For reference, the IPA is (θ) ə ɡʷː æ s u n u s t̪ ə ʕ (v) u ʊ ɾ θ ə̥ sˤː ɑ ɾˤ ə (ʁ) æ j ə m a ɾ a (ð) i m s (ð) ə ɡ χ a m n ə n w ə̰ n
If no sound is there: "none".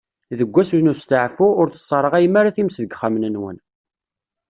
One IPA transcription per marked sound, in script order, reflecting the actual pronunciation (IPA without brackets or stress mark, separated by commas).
ð, f, ʁ, θ, ð